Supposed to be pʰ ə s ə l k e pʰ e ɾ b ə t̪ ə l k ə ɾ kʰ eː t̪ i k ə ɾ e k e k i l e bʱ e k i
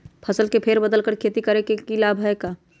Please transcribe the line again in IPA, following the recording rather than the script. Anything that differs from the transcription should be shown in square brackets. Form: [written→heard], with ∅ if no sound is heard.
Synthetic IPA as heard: pʰ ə s ə l k e pʰ e ɾ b ə [t̪→d̪] ə l k ə ɾ kʰ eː t̪ i k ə ɾ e k e k i l [e→a] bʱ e k [i→a]